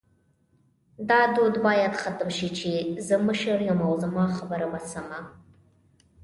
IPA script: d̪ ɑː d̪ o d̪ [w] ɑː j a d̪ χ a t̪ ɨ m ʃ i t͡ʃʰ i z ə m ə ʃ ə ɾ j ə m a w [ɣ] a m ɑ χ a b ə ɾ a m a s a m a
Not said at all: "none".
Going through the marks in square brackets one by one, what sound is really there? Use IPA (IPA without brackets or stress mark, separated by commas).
b, z